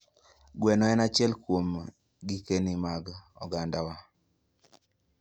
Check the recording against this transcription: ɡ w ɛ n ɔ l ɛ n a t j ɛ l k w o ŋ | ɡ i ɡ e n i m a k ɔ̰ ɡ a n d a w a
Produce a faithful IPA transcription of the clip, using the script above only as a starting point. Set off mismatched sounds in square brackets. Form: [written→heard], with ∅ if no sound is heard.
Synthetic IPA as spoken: ɡ w ɛ n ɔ [l→∅] ɛ n a [t→t͡ʃ] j ɛ l k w o [ŋ→m] | ɡ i [ɡ→k] e n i m a [k→ɡ] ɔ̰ ɡ a n d a w a